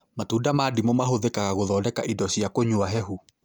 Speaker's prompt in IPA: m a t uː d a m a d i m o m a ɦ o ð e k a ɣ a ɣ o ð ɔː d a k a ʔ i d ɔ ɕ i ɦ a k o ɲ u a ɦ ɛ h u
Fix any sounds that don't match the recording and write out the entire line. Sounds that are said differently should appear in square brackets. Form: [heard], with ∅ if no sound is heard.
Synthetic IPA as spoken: m a t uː d a m a d i m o m a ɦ o ð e k a ɣ a ɣ o ð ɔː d [ɛ] k a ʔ i d ɔ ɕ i [∅] a k o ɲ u a ɦ ɛ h u